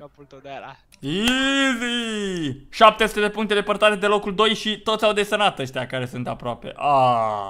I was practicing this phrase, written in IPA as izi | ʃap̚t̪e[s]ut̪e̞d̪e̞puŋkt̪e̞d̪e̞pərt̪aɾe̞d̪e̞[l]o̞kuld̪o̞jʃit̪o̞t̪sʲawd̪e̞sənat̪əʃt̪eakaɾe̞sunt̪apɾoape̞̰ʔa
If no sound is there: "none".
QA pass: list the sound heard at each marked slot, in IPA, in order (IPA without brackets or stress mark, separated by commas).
s, l